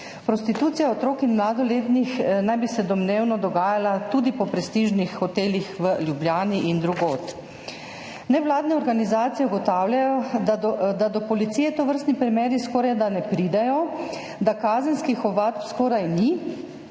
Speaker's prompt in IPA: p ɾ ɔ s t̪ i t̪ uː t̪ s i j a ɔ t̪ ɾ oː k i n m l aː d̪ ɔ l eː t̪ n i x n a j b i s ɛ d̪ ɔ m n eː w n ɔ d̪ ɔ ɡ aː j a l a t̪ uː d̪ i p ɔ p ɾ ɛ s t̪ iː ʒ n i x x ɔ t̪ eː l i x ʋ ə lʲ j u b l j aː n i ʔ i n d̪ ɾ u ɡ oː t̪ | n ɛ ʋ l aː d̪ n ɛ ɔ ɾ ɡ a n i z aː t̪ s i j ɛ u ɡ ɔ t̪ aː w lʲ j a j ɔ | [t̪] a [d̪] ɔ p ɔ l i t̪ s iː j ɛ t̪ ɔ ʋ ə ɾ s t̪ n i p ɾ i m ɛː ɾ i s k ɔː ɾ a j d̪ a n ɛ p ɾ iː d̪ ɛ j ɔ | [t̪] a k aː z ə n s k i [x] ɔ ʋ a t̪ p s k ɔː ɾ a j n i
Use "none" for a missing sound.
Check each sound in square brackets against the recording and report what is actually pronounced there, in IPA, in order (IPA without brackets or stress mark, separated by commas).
d̪, d̪, d̪, x